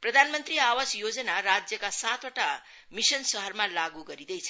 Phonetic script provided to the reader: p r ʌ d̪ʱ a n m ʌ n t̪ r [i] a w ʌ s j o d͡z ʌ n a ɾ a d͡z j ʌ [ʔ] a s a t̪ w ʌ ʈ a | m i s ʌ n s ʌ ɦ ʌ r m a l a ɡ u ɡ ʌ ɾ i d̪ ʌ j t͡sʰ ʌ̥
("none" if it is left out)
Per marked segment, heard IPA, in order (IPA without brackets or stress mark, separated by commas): i, k